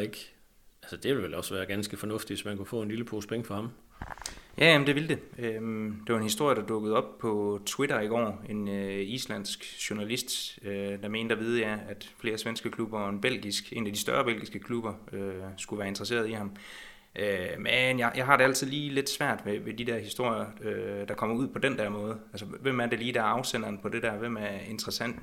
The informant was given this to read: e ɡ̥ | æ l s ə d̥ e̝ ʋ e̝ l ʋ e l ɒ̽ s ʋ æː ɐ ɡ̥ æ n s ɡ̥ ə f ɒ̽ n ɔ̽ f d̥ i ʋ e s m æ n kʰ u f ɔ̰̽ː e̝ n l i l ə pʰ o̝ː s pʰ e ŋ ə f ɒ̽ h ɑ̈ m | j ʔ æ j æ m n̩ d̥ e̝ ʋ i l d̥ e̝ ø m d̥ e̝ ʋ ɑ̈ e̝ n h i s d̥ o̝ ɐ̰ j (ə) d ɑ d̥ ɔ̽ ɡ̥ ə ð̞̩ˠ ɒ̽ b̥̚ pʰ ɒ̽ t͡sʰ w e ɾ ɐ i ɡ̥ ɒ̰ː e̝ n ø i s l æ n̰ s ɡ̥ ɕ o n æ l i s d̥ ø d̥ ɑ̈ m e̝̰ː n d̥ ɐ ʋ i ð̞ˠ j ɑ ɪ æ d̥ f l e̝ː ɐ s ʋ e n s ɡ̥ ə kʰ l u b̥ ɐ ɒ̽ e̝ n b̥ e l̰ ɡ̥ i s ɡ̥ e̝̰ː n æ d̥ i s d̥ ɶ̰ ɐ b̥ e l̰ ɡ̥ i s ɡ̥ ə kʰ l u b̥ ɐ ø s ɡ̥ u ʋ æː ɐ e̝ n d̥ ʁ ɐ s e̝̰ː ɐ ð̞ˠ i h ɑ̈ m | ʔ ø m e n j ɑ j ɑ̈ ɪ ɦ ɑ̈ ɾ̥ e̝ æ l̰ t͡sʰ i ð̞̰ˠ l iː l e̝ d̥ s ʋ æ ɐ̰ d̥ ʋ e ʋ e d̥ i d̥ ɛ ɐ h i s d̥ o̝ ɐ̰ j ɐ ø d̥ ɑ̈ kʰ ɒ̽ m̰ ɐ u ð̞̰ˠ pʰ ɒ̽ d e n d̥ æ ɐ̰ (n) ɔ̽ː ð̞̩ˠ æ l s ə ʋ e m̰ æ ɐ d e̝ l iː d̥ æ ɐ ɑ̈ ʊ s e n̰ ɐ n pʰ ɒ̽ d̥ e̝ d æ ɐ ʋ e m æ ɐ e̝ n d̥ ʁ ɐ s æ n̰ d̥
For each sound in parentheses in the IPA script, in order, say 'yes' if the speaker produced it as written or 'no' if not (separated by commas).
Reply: yes, no